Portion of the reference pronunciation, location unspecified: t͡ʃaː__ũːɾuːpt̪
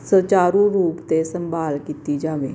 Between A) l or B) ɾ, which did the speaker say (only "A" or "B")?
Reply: B